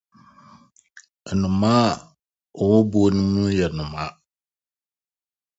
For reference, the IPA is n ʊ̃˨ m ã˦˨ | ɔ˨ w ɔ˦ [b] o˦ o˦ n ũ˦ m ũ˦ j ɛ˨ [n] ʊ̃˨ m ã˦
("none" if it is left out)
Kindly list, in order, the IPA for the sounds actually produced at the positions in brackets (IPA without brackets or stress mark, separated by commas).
b, n